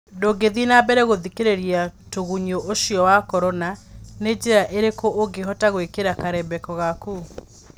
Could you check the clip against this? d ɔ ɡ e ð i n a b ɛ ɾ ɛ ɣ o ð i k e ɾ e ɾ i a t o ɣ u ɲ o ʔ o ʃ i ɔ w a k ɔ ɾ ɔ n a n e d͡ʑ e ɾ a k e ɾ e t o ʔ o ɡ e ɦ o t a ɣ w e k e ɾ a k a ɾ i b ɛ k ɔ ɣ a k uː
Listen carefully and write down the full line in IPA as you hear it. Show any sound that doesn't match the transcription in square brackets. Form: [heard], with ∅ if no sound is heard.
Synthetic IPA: d [o] ɡ e ð i n a b ɛ ɾ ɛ ɣ o ð i k e ɾ e ɾ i a t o ɣ u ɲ o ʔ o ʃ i ɔ w a k ɔ ɾ ɔ n a n e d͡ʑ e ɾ a [ʔ] e ɾ e [k] o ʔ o ɡ e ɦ [ɔ] t a ɣ w e k e ɾ a k a ɾ [ɛ] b ɛ k ɔ ɣ a k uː